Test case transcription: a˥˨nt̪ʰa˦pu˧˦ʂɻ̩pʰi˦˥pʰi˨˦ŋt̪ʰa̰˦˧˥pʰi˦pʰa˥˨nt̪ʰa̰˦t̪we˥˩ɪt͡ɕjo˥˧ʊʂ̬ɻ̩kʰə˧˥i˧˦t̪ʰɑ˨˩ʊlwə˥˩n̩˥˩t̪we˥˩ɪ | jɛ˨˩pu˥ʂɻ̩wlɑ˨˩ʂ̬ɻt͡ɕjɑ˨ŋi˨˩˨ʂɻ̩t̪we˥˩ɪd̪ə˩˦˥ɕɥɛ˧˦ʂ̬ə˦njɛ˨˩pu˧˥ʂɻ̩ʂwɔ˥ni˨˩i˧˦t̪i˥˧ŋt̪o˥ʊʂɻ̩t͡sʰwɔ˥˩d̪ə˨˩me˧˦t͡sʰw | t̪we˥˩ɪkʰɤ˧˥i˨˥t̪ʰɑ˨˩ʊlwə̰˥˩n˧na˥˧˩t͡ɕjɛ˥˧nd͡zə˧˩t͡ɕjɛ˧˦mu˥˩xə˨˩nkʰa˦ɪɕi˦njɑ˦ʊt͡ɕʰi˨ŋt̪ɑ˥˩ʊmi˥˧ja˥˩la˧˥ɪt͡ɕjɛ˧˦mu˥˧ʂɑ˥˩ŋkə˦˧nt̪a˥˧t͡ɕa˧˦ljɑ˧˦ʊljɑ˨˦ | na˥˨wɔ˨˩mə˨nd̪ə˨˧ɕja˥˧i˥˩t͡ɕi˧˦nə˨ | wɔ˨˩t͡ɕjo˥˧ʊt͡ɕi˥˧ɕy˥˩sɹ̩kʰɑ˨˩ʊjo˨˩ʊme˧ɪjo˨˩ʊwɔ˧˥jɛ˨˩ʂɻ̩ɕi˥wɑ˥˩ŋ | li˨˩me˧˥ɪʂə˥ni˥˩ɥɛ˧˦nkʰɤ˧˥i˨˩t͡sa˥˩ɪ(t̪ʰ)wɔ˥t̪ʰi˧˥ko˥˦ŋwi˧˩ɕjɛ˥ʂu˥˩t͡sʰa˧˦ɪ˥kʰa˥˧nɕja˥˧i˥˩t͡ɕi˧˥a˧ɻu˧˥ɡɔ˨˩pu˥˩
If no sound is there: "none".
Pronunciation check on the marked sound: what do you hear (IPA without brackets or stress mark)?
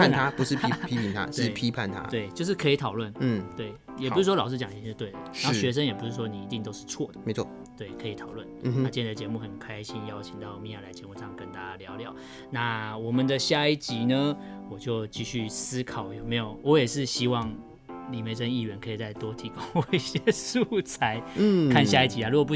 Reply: t̪